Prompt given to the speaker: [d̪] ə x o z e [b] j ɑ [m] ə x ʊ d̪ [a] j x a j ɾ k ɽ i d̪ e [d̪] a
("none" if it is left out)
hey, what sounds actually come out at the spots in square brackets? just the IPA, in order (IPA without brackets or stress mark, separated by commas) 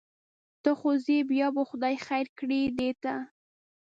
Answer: t̪, b, b, ɑ, t̪